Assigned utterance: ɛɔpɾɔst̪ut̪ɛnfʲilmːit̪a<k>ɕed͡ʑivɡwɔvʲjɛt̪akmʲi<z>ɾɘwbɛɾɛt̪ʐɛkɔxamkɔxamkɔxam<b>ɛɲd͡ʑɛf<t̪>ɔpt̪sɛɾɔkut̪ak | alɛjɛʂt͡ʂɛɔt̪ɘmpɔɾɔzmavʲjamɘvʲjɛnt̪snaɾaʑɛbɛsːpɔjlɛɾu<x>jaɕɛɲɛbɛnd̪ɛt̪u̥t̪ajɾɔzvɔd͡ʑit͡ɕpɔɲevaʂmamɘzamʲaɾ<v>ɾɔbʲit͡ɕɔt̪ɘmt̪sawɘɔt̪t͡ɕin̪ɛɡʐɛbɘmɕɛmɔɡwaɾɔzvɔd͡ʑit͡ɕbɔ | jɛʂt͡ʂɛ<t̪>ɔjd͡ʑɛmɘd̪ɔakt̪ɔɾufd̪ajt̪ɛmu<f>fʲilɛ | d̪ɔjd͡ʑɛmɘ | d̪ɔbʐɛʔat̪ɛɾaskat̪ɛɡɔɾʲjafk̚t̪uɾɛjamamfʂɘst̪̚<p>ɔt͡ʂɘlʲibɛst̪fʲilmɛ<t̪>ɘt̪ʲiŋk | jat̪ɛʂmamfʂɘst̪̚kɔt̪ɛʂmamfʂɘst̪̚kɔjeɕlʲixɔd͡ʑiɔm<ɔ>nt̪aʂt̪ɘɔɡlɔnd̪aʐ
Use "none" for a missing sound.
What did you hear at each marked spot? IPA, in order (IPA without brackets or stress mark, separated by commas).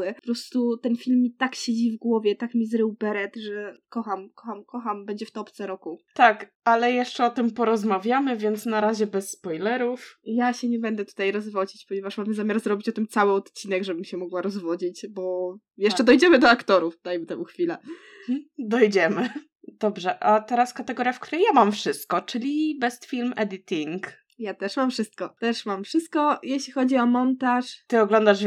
k, z, b, t̪, f, z, d̪, x, k, d̪, ɔ